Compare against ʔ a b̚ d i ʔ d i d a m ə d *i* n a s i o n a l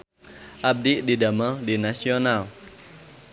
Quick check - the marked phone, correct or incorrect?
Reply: correct